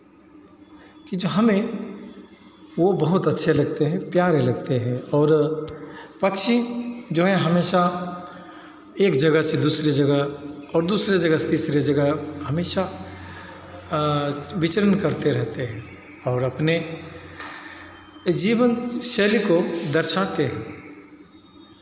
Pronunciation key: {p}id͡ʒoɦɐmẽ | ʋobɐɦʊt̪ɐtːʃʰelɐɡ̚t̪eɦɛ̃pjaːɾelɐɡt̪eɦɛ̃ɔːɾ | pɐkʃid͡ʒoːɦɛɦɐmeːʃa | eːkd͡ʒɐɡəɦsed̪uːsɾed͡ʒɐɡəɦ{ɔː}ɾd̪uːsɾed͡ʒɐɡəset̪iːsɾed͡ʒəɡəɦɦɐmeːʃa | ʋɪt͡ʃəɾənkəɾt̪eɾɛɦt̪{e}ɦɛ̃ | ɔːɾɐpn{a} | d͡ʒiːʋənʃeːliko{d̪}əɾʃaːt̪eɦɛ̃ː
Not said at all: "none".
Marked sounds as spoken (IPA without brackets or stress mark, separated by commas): k, ɔː, e, e, d̪